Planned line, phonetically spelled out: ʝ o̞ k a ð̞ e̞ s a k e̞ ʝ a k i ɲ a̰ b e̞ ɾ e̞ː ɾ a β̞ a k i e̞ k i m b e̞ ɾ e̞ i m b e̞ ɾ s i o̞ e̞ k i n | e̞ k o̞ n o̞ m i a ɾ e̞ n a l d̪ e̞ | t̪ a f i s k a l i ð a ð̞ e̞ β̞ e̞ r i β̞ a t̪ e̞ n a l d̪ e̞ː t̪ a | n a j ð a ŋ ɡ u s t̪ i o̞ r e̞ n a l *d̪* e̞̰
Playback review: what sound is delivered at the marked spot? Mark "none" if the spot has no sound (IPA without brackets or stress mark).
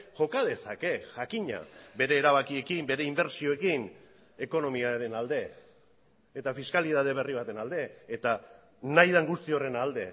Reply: d̪